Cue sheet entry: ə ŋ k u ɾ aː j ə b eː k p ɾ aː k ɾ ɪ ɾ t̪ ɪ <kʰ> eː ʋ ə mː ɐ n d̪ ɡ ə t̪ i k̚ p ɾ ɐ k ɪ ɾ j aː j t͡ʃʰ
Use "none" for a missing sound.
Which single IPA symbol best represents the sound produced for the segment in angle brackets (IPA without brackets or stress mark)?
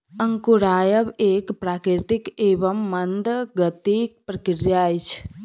k